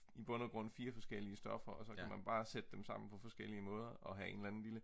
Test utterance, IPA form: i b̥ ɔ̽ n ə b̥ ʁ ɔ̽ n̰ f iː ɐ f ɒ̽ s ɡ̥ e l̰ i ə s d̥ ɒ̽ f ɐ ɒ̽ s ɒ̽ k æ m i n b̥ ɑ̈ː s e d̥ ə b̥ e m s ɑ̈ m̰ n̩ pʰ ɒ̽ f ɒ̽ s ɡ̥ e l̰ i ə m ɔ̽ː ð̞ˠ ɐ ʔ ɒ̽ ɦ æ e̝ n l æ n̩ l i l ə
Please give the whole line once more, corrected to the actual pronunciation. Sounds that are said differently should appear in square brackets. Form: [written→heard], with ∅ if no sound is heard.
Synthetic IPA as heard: i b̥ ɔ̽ n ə [b̥→ɡ̥] ʁ ɔ̽ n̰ f iː ɐ f ɒ̽ s ɡ̥ e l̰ i ə s d̥ ɒ̽ f ɐ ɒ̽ s ɒ̽ k æ m [i→æ] n b̥ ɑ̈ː s e d̥ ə [b̥→d̥] e m s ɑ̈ m̰ n̩ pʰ ɒ̽ f ɒ̽ s ɡ̥ e l̰ i ə m ɔ̽ː ð̞ˠ ɐ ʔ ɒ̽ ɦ æ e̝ n l æ n̩ l i l ə